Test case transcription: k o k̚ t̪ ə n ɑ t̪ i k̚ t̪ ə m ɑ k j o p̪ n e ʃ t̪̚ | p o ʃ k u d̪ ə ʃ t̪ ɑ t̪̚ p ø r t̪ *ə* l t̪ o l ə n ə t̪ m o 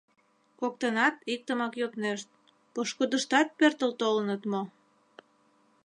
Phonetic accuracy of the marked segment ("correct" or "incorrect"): correct